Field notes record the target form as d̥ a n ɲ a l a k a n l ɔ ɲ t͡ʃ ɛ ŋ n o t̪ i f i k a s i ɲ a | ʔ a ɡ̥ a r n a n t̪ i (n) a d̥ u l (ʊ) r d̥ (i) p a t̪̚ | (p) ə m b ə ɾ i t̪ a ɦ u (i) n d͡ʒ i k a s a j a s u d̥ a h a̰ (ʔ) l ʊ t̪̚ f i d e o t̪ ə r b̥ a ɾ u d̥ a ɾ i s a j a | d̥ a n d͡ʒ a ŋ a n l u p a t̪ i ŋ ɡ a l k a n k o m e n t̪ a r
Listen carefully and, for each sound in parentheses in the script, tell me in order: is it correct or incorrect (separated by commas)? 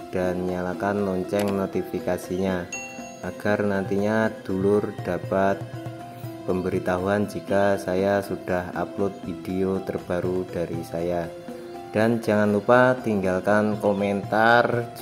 incorrect, correct, incorrect, correct, incorrect, incorrect